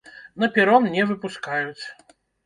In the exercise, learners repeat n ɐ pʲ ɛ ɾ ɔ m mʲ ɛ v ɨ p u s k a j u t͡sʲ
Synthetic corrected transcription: n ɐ pʲ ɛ ɾ ɔ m nʲ ɛ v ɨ p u s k a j u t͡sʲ